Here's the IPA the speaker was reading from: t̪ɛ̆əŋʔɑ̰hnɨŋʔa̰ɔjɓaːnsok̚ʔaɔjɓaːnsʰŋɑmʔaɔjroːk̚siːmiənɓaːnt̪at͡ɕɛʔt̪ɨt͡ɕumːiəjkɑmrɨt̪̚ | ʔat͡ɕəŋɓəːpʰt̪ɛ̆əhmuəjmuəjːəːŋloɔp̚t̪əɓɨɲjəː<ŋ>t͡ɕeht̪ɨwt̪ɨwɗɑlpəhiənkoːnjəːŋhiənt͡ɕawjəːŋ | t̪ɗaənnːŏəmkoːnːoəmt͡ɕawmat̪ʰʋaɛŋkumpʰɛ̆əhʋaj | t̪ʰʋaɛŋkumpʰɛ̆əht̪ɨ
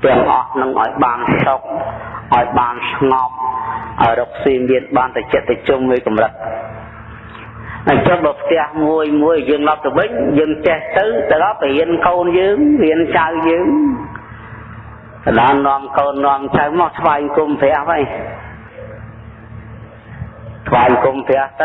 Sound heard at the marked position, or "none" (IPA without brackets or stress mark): ŋ